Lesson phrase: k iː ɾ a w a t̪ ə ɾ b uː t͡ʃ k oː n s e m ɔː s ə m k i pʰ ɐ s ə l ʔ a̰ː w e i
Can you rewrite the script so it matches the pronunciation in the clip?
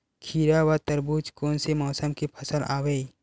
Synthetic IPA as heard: kʰ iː ɾ a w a t̪ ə ɾ b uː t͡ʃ k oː n s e m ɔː s ə m k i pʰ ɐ s ə l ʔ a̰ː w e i